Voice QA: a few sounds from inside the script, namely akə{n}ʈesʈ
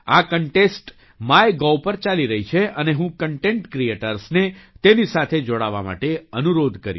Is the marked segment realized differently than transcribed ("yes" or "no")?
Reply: yes